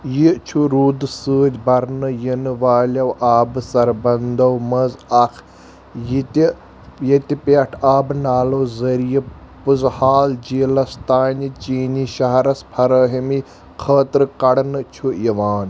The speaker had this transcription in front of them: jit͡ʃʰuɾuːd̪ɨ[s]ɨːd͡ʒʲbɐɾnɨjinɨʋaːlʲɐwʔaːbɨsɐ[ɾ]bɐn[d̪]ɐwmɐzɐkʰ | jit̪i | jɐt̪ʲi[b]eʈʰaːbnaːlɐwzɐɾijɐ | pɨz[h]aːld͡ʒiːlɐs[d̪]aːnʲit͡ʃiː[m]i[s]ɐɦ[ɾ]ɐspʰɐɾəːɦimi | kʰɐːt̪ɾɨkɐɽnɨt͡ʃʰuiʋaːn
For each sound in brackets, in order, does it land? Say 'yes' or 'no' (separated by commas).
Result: yes, yes, yes, no, yes, no, no, no, yes